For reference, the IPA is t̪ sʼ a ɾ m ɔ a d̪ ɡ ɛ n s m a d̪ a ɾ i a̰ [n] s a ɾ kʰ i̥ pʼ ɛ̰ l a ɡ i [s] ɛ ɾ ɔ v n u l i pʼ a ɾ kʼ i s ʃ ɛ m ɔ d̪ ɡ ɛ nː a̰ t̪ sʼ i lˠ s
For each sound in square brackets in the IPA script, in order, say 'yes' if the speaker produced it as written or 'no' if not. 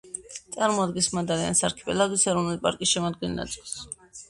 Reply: yes, yes

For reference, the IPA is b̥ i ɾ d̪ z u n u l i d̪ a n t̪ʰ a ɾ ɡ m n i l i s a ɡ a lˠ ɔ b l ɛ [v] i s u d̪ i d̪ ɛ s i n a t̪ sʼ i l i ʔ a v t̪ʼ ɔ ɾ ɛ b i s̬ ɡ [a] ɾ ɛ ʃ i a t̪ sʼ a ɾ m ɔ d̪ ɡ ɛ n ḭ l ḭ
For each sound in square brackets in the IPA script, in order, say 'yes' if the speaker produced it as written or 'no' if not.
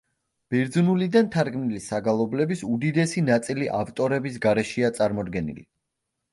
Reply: no, yes

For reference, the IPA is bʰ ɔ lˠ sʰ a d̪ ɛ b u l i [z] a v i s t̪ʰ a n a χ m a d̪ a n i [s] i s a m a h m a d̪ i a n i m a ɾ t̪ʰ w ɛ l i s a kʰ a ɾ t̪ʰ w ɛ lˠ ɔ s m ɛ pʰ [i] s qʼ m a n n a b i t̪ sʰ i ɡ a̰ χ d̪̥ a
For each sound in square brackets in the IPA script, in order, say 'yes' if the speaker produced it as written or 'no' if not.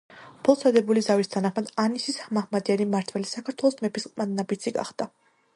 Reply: yes, yes, yes

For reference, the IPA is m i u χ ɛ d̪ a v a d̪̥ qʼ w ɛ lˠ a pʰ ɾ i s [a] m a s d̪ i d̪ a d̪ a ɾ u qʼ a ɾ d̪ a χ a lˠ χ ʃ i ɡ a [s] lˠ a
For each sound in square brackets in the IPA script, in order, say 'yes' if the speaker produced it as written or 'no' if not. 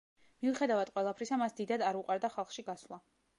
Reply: yes, yes

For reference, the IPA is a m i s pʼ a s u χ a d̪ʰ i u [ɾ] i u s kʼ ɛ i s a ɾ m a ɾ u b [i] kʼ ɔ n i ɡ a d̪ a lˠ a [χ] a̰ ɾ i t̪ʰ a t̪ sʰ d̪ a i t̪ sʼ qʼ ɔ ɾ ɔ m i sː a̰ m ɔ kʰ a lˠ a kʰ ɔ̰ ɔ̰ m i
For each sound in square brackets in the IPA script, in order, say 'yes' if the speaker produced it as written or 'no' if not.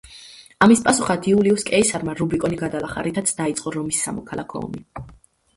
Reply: no, yes, yes

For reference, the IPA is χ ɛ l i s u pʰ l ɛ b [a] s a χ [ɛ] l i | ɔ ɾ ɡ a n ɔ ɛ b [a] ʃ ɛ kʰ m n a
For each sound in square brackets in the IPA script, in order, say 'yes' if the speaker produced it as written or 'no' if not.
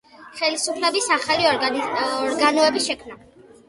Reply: no, no, no

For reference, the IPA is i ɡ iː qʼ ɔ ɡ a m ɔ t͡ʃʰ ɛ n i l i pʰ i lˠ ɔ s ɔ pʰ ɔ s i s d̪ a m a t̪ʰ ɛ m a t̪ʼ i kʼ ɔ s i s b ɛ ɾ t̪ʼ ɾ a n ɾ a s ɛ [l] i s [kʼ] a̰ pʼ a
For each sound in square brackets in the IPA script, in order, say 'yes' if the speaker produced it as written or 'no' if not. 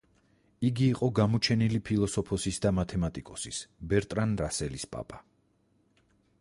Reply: yes, no

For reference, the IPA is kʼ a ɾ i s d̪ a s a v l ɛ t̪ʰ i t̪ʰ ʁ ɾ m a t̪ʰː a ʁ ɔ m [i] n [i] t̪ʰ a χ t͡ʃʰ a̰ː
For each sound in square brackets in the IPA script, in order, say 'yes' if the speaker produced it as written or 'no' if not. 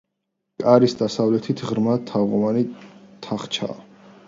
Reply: no, yes

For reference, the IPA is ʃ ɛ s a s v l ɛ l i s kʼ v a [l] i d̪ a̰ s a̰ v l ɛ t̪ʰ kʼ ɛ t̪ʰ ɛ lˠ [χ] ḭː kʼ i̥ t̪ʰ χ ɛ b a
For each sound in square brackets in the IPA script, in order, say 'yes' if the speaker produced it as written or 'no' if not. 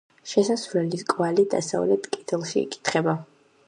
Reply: yes, no

